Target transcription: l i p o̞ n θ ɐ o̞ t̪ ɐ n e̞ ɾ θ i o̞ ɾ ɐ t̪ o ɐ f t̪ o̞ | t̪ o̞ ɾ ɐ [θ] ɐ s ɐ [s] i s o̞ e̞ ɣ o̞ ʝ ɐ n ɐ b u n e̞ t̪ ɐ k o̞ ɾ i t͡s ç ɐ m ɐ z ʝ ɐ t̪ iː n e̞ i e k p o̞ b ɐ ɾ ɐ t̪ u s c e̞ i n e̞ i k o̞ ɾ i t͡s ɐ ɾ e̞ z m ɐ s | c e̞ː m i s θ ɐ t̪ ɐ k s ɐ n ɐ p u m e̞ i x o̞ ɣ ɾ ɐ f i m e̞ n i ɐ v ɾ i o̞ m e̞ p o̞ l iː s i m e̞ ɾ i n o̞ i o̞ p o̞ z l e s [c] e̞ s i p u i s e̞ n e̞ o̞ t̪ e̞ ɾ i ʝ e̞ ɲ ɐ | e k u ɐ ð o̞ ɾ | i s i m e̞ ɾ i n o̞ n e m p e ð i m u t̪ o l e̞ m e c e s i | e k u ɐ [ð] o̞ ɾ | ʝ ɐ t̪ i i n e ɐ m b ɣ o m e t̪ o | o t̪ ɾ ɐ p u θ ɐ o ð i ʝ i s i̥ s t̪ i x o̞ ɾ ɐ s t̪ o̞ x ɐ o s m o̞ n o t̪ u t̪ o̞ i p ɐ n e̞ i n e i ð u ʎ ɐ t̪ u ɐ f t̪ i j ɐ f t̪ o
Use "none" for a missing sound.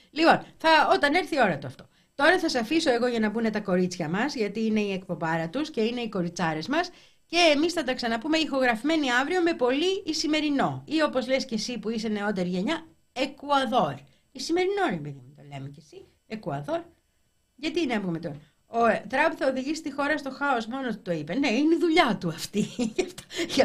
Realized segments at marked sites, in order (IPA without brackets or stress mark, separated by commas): θ, f, c, ð